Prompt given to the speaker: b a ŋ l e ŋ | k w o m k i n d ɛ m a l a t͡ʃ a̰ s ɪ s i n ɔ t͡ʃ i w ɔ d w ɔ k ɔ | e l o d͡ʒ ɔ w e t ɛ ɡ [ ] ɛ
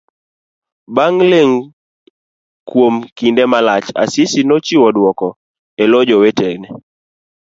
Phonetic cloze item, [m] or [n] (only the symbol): n